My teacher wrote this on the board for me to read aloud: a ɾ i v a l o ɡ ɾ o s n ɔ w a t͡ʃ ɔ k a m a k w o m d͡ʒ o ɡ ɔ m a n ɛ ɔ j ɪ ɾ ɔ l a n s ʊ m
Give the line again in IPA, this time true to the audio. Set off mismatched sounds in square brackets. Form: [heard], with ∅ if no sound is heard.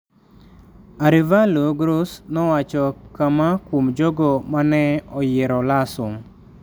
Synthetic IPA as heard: a ɾ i v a l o ɡ ɾ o s n ɔ w a t͡ʃ ɔ k a m a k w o m d͡ʒ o ɡ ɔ m a n ɛ ɔ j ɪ ɾ ɔ l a [∅] s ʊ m